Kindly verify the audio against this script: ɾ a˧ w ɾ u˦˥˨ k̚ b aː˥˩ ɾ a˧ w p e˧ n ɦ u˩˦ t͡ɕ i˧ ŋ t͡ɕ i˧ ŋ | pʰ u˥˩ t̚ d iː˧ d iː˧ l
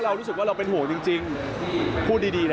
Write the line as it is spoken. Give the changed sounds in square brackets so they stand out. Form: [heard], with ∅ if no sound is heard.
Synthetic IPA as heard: ɾ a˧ w ɾ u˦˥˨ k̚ [w] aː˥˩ ɾ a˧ w p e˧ n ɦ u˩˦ t͡ɕ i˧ ŋ t͡ɕ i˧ ŋ | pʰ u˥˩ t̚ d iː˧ d iː˧ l